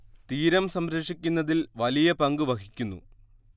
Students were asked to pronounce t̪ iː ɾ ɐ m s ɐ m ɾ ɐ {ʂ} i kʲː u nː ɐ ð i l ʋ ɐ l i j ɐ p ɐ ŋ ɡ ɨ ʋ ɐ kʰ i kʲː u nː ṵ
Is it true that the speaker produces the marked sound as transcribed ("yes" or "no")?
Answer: yes